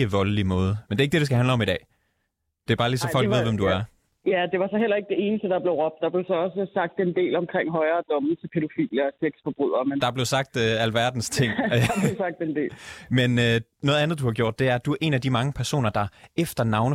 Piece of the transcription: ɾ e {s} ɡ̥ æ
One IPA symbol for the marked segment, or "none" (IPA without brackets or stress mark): s